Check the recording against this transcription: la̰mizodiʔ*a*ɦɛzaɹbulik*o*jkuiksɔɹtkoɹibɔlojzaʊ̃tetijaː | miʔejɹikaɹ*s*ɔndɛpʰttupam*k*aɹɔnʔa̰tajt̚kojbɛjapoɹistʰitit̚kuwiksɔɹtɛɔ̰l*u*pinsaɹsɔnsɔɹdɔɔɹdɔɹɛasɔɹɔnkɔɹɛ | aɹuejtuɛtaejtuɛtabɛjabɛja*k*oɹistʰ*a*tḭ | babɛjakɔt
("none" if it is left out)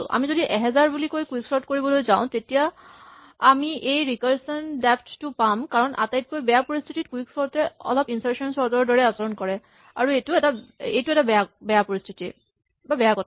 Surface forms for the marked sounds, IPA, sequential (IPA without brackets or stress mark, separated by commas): ɛ, o, s, k, ɔ, p, i